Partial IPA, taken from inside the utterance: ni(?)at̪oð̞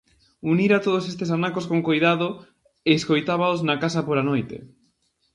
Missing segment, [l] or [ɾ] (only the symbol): ɾ